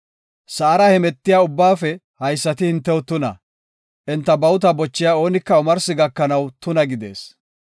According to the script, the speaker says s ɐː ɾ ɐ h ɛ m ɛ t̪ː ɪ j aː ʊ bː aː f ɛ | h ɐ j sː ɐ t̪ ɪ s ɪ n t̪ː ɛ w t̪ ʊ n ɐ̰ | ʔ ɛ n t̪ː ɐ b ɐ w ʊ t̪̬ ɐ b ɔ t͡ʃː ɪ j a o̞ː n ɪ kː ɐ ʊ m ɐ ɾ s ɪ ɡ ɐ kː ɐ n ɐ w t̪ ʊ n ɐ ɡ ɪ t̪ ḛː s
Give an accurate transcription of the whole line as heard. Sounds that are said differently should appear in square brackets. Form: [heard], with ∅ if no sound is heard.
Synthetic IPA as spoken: s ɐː ɾ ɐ h ɛ m ɛ t̪ː ɪ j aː ʊ bː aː f ɛ | h ɐ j sː ɐ t̪ ɪ [h] ɪ n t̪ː ɛ w t̪ ʊ n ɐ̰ | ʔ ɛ n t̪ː ɐ b ɐ w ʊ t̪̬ ɐ b ɔ t͡ʃː ɪ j a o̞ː n ɪ kː ɐ ʊ m ɐ ɾ s ɪ ɡ ɐ kː ɐ n ɐ w t̪ ʊ n ɐ ɡ ɪ [d̪] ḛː s